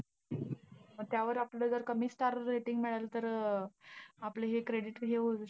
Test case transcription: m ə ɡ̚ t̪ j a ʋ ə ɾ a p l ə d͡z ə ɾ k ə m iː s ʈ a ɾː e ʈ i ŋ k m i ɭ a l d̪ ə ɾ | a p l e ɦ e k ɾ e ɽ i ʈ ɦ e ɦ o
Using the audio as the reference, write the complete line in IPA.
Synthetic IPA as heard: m ə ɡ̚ t̪ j a ʋ ə ɾ a p l ə d͡z ə ɾ k ə m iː s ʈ a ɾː e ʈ i ŋ ɡ m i ɭ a l t̪ ə ɾ | a p l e ɦ e k ɾ e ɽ i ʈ ɦ e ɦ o

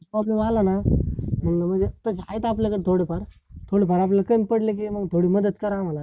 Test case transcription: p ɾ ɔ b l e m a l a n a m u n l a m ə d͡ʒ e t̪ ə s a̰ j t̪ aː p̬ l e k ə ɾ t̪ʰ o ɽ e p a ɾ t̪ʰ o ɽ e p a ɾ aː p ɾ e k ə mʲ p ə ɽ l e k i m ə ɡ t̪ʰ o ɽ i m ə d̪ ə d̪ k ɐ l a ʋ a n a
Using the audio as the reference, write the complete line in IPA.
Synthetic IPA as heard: p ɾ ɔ b l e m a l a n a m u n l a m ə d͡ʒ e t̪ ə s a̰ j t̪ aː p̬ l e k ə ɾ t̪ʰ o ɽ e p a ɾ t̪ʰ o ɽ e p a ɾ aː p l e k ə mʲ p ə ɽ l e k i m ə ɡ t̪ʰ o ɽ i m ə d̪ ə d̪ k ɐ ɾ a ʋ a n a

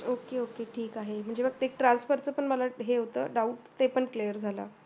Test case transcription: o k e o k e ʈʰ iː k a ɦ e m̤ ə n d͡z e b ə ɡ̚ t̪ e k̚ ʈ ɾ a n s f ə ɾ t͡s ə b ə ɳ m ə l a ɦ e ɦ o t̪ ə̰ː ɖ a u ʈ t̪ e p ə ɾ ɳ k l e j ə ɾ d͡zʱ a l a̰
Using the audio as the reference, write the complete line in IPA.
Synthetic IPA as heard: o k e o k e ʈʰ iː k a ɦ e m̤ ə ɳ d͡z e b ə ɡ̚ t̪ e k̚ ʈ ɾ a n s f ə ɾ t͡s ə p ə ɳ m ə l a ɦ e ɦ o t̪ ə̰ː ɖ a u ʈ t̪ e p ə ɳ k l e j ə ɾ d͡zʱ a l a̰

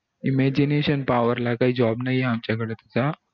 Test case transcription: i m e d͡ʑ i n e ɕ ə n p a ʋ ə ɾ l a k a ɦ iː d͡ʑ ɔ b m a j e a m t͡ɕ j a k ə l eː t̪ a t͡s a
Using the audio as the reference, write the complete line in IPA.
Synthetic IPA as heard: i m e d͡ʑ i n e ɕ ə n p a ʋ ə ɾ l a k a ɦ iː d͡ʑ ɔ b n a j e a m t͡ɕ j a k ə ɽ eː t̪ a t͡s a

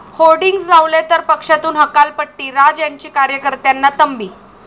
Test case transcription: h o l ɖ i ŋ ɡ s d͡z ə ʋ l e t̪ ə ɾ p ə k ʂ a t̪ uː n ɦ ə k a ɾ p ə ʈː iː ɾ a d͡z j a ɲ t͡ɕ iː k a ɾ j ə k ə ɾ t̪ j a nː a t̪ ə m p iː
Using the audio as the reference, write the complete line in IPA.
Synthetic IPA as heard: h o l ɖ i ŋ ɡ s d͡z a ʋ l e t̪ ə ɾ p ə k ʂ a t̪ uː n ɦ ə k a l p ə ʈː iː ɾ a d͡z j a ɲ t͡ɕ iː k a ɾ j ə k ə ɾ t̪ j a nː a t̪ ə m b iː

